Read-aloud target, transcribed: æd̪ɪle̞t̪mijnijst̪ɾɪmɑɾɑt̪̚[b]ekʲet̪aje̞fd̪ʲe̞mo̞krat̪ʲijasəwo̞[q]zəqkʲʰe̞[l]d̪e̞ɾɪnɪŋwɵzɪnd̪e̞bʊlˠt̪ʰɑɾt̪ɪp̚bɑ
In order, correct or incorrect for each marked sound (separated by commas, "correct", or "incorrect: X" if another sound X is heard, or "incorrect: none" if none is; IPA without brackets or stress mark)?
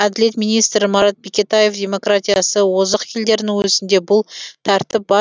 correct, incorrect: none, correct